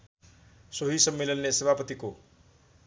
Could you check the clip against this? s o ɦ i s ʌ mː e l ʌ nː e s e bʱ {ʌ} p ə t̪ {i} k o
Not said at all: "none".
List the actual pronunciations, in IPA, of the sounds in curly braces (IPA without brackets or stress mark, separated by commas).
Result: a, i